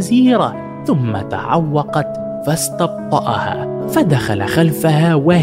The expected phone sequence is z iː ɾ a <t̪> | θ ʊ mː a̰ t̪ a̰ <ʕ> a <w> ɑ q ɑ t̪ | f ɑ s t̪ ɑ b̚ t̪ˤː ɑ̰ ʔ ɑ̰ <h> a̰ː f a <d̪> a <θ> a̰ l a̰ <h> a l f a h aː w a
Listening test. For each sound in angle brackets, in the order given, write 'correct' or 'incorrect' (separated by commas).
incorrect, correct, incorrect, correct, correct, incorrect, incorrect